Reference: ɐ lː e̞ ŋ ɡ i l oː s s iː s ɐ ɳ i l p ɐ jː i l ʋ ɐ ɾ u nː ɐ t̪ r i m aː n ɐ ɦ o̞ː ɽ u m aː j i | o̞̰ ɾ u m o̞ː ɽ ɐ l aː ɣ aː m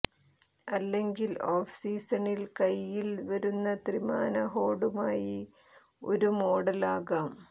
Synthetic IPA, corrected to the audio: ɐ lː e̞ ŋ ɡ i l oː f s iː s ɐ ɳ i l k ɐ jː i l ʋ ɐ ɾ u nː ɐ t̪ r i m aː n ɐ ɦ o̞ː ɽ u m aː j i | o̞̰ ɾ u m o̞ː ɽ ɐ l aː ɣ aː m